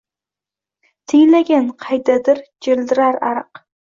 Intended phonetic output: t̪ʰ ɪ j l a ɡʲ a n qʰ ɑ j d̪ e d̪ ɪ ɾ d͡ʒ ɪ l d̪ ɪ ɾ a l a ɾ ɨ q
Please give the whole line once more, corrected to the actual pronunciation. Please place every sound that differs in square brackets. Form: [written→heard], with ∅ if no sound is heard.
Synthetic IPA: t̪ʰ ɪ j l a ɡʲ a n qʰ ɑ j d̪ [e→a] d̪ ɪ ɾ d͡ʒ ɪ l d̪ ɪ ɾ a [l→ɾ] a ɾ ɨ q